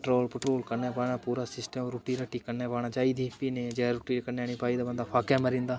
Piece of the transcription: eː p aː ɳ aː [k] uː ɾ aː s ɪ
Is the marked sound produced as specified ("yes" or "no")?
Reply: no